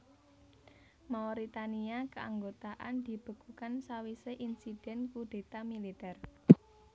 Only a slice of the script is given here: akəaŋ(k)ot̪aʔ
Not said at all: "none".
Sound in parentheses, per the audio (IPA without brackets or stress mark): ɡ